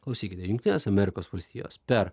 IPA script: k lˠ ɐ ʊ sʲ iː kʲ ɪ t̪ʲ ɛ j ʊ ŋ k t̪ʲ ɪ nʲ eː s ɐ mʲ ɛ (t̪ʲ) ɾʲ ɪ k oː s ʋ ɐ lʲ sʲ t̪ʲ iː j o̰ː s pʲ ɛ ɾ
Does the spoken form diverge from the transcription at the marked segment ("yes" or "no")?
yes